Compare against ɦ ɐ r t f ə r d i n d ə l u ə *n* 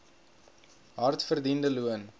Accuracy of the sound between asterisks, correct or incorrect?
correct